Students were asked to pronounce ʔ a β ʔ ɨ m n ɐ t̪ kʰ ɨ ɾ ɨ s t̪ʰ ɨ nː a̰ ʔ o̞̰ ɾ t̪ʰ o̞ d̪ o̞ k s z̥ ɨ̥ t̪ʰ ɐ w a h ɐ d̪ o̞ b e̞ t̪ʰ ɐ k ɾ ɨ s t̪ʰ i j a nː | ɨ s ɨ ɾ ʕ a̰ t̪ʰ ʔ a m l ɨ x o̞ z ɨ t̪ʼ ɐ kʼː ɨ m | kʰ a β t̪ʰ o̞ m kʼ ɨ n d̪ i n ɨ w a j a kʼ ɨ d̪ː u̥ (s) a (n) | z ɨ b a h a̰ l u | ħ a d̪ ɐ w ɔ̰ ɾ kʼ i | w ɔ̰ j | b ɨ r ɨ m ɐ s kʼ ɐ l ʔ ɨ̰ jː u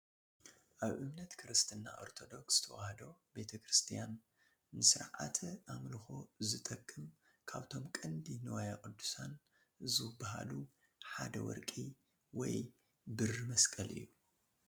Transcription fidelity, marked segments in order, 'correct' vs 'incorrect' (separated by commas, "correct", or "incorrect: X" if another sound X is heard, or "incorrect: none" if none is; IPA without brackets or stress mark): correct, correct